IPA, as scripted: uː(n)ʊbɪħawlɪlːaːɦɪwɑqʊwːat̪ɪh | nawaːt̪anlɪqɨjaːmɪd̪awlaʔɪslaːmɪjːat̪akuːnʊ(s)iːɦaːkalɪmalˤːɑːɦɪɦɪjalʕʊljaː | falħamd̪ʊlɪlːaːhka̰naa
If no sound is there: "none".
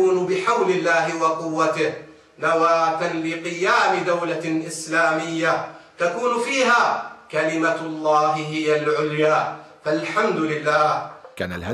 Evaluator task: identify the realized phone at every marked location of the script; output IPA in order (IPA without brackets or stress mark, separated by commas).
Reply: n, f